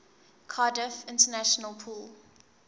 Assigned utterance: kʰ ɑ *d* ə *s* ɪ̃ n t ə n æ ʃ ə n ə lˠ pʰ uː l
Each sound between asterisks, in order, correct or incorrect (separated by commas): correct, incorrect